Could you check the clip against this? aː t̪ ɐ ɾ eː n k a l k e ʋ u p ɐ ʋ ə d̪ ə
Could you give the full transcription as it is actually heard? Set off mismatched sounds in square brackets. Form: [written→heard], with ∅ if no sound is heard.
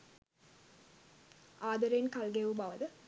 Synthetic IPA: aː [t̪→d̪] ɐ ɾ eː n k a l [k→ɡ] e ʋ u [p→b] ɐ ʋ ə d̪ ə